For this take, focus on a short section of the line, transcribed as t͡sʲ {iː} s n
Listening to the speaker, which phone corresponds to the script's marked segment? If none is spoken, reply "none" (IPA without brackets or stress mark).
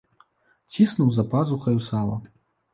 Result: i